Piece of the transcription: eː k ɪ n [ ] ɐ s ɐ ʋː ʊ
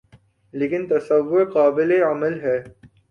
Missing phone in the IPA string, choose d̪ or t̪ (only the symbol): t̪